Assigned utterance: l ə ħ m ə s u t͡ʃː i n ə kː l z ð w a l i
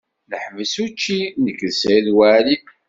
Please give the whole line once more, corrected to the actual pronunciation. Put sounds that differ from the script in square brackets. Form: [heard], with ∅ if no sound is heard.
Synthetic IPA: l ə ħ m ə s u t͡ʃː i n ə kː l [s] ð w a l i